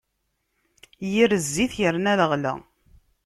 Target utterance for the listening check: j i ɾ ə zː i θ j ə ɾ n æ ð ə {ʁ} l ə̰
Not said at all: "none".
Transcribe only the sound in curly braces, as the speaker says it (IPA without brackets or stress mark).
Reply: ʁ